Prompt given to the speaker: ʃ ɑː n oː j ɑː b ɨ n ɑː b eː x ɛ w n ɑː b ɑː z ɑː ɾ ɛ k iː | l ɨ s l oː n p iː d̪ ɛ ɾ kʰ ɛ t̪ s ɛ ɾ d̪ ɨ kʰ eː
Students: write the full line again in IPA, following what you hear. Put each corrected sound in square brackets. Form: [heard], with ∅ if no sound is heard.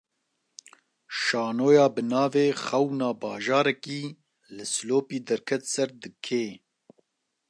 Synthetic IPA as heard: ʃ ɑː n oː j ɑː b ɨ n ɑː [v] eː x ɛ w n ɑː b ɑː [ʒ] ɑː ɾ ɛ k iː | l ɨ s l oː [∅] p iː d̪ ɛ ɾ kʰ ɛ t̪ s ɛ ɾ d̪ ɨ kʰ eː

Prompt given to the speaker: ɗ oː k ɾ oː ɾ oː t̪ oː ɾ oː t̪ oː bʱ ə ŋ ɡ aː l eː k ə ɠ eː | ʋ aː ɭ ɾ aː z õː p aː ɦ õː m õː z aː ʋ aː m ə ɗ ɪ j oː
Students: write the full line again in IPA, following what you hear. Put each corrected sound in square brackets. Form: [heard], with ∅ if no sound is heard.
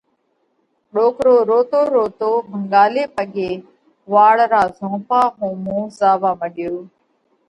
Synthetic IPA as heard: ɗ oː k ɾ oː ɾ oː t̪ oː ɾ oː t̪ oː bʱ ə ŋ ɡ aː l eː [p] ə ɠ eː | ʋ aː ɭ ɾ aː z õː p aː ɦ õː m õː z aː ʋ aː m ə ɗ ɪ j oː

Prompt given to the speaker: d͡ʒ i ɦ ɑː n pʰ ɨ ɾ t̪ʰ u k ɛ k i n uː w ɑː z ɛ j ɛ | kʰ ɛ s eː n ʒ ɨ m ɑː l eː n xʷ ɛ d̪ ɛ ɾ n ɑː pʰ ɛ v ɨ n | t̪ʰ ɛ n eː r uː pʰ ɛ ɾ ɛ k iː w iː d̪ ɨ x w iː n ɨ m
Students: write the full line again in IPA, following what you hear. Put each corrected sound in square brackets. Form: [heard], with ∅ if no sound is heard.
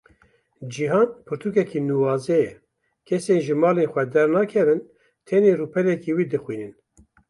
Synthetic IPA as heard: d͡ʒ i ɦ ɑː n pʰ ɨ ɾ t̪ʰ u k ɛ k i n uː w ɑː z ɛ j ɛ | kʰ ɛ s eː n ʒ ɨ m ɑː l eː n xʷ ɛ d̪ ɛ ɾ n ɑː [kʰ] ɛ v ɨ n | t̪ʰ ɛ n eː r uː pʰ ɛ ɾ ɛ k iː w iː d̪ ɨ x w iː n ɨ [n]

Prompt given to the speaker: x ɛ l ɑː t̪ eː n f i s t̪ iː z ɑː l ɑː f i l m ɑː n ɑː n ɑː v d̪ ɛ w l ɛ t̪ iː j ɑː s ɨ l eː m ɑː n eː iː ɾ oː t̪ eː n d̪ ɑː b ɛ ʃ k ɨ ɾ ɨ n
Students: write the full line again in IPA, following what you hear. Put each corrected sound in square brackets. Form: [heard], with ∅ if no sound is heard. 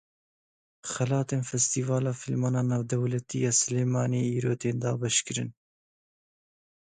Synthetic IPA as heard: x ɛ l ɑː t̪ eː n f [ɛ] s t̪ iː [v] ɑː l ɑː f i l m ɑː n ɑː n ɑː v d̪ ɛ w l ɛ t̪ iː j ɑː s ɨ l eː m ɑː n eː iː ɾ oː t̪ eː n d̪ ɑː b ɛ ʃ k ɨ ɾ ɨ n

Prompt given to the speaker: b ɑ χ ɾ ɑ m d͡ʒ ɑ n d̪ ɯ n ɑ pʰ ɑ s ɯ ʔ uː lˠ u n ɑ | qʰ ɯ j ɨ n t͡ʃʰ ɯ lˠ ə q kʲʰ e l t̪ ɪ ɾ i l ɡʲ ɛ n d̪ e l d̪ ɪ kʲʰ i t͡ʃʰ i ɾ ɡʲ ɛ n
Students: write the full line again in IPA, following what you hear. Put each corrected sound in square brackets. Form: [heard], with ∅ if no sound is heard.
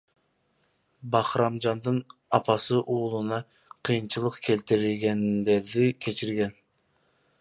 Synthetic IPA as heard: b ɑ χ ɾ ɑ m d͡ʒ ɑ n d̪ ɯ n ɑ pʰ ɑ s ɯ ʔ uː lˠ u n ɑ | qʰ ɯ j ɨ n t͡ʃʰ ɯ lˠ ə q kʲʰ e l t̪ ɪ ɾ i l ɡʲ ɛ n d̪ e [ɾ] d̪ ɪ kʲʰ [e] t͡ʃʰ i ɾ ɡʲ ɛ n

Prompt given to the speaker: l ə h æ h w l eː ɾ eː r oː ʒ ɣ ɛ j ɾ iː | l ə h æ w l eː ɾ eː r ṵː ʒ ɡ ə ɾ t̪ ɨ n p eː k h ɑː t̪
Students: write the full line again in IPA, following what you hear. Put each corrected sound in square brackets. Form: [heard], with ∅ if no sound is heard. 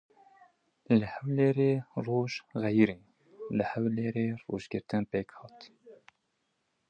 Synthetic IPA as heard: l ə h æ [∅] w l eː ɾ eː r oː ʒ ɣ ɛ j ɾ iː | l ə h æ w l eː ɾ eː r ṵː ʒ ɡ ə ɾ t̪ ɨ n p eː k h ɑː t̪

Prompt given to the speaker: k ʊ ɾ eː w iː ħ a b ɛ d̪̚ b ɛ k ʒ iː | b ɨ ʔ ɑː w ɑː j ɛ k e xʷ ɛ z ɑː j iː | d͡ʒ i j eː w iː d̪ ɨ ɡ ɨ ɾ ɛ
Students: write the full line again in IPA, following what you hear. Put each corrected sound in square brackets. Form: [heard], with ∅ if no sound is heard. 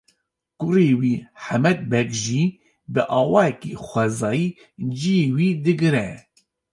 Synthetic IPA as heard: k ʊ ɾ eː w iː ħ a [m] ɛ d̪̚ b ɛ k ʒ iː | b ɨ ʔ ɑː w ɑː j ɛ k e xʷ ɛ z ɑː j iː | d͡ʒ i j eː w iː d̪ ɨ ɡ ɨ ɾ ɛ

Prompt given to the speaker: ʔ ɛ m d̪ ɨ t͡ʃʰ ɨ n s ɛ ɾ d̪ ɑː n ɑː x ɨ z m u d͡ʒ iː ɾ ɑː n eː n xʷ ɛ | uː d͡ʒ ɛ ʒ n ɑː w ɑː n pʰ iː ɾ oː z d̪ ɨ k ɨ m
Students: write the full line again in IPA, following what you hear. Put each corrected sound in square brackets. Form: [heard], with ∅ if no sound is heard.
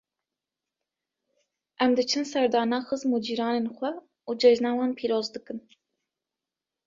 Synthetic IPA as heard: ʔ ɛ m d̪ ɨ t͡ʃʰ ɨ n s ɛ ɾ d̪ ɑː n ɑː x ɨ z m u d͡ʒ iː ɾ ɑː n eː n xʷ ɛ | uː d͡ʒ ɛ ʒ n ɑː w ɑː n pʰ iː ɾ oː z d̪ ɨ k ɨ [n]

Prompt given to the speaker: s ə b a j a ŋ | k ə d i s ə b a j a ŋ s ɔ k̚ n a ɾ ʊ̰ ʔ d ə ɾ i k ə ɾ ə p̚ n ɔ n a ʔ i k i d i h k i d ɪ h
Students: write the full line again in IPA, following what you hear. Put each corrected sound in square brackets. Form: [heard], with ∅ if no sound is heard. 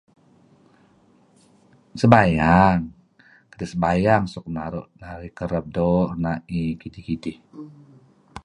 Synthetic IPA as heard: s ə b a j a ŋ | k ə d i s ə b a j a ŋ s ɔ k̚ n a ɾ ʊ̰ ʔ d [a] ɾ i k ə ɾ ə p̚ [d] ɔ n a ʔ i k i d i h k i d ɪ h

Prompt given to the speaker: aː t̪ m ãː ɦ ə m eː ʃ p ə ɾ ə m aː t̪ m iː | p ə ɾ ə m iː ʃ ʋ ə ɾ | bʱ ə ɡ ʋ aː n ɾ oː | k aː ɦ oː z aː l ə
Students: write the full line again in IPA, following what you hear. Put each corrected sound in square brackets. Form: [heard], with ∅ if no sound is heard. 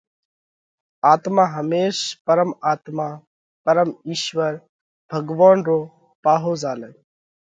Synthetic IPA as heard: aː t̪ m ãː ɦ ə m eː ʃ p ə ɾ ə m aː t̪ m [aː] | p ə ɾ ə m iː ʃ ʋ ə ɾ | bʱ ə ɡ ʋ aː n ɾ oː | [p] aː ɦ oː z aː l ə

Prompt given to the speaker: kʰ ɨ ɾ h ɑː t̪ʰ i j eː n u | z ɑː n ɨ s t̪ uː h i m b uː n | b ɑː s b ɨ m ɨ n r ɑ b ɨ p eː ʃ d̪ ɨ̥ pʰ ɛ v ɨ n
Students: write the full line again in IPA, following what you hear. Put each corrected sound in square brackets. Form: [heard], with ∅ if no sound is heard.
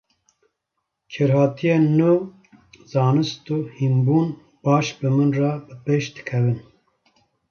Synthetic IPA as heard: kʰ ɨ ɾ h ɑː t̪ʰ i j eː n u | z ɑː n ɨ s t̪ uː h i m b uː n | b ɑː [ʃ] b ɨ m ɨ n r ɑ b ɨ p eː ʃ d̪ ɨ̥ [kʰ] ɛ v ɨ n

